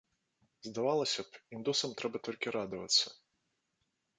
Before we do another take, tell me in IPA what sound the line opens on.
z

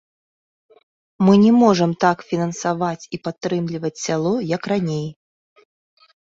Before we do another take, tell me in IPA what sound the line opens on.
m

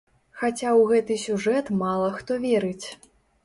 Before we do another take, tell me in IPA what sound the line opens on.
x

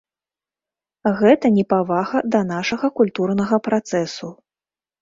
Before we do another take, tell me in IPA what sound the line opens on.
ɣ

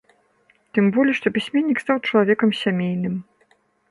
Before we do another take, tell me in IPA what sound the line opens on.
t̪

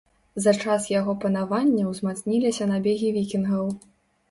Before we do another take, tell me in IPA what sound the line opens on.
z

